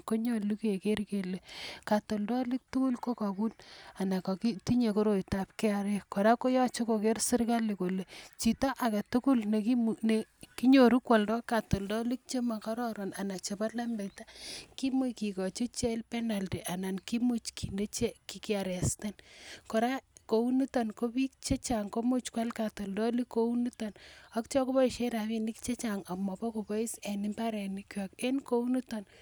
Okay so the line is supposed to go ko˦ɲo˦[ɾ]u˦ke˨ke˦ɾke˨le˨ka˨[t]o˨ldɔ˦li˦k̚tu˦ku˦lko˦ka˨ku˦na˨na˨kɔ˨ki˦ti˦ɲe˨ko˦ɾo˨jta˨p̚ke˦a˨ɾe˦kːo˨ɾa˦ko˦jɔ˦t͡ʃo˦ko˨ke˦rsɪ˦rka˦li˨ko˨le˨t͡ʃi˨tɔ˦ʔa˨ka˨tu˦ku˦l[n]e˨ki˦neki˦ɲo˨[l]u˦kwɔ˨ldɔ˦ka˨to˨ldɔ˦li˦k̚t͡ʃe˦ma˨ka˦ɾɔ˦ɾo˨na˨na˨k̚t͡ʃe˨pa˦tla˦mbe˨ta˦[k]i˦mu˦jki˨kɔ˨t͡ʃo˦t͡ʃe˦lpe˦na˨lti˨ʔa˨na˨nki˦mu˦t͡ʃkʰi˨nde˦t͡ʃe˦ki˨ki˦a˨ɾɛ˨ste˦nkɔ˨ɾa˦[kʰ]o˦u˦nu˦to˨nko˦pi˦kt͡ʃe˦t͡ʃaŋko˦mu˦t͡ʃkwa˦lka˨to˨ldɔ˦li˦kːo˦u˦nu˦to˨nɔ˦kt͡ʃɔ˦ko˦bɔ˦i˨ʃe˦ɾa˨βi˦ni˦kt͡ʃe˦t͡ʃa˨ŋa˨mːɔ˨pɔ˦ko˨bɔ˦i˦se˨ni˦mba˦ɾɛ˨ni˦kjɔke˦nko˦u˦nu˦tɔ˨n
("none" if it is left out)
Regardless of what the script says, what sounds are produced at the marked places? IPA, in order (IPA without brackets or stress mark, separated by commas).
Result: l, t, n, ɾ, k, k